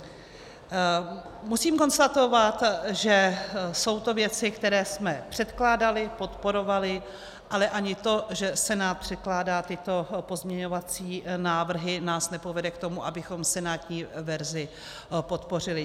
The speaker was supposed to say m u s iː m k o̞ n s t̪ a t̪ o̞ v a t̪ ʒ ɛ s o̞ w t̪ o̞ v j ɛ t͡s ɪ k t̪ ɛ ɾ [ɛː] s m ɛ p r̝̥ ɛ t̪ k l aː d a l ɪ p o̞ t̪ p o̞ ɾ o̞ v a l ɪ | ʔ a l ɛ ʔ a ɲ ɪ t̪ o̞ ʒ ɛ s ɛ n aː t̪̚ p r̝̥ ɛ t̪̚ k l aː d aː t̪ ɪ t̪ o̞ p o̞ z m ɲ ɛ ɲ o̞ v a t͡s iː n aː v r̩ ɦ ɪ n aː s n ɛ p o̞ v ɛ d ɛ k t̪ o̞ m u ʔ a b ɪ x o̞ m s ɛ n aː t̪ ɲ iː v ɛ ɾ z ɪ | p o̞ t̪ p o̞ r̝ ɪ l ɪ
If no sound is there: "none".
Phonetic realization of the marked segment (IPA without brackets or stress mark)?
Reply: ɛː